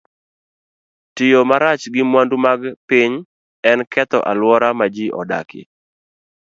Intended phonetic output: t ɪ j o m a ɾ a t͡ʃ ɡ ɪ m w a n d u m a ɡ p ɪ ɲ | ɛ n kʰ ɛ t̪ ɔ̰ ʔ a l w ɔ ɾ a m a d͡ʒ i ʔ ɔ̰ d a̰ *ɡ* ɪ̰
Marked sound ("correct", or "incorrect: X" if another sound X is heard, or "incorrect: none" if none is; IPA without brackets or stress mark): incorrect: k